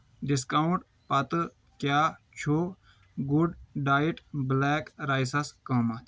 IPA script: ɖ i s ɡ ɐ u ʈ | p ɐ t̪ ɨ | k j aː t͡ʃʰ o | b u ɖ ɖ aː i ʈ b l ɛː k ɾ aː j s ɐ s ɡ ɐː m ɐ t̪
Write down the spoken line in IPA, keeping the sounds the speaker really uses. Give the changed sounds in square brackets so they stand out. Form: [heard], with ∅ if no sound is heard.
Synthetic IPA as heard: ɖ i s [k] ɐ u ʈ | p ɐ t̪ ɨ | k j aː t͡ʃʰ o | [ɡ] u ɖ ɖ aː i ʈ b l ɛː k ɾ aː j s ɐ s [k] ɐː m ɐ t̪

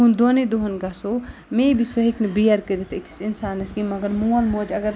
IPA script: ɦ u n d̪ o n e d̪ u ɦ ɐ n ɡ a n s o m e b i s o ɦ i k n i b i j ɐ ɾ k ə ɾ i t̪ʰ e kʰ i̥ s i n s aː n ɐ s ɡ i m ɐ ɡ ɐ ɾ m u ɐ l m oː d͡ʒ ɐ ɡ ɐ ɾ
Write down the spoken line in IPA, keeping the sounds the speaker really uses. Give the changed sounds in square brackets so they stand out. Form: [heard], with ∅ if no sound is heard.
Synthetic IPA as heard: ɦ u n d̪ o n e d̪ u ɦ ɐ n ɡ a [∅] s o m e b i s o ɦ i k n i b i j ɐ ɾ k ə ɾ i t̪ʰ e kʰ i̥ s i n s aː n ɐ s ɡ i m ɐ ɡ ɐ ɾ m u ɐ l m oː d͡ʒ ɐ ɡ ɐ ɾ

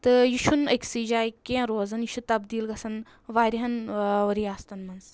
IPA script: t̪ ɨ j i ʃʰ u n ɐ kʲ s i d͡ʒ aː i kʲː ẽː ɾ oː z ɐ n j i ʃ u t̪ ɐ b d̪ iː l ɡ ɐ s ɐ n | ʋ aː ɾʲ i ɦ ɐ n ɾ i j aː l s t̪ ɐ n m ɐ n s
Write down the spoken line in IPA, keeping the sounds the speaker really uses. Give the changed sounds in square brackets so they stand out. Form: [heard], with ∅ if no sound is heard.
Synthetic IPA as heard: t̪ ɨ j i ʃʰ u n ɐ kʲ s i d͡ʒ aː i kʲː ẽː ɾ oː z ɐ n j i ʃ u t̪ ɐ b d̪ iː l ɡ ɐ s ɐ n | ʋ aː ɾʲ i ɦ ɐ n ɾ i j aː [∅] s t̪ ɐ n m ɐ n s

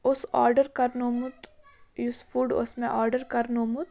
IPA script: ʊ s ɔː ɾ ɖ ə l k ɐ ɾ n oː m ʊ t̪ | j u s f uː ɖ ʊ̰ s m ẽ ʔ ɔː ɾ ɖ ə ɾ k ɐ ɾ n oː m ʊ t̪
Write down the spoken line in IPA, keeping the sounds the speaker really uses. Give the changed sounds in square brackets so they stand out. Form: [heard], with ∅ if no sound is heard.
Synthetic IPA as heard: ʊ s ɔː ɾ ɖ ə [ɾ] k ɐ ɾ n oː m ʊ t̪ | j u s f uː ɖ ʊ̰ s m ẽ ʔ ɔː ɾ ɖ ə ɾ k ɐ ɾ n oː m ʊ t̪

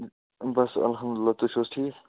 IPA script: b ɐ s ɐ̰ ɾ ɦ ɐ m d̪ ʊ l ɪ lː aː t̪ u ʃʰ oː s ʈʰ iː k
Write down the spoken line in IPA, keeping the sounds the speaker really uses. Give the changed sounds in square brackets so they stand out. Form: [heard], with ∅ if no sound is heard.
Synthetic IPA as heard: b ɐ s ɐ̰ [l] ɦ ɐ m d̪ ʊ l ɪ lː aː t̪ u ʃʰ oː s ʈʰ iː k

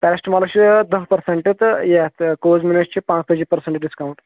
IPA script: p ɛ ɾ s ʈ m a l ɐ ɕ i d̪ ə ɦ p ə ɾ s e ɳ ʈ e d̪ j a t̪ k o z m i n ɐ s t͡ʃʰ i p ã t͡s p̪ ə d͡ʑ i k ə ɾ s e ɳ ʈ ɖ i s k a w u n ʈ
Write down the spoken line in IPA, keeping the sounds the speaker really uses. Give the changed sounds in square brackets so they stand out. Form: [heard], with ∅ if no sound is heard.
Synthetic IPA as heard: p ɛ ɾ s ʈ m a l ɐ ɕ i d̪ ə ɦ p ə ɾ s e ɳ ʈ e [t̪] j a t̪ k o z m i n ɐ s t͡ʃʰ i p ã t͡s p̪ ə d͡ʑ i [p] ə ɾ s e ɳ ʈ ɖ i s k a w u [ɳ] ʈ

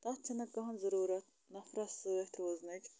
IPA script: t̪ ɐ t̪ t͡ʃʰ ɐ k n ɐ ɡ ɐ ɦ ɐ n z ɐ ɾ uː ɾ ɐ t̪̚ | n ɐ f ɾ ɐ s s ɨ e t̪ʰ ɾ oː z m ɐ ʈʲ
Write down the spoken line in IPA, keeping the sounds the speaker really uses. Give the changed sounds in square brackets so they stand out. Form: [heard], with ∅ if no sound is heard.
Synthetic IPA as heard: t̪ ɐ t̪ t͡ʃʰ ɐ [∅] n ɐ [k] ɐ ɦ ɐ n z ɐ ɾ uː ɾ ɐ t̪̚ | n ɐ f ɾ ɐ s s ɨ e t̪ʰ ɾ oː z [n] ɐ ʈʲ

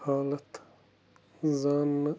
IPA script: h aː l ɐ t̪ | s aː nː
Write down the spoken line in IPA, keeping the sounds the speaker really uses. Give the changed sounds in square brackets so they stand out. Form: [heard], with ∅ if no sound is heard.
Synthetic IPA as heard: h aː l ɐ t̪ | [z] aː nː

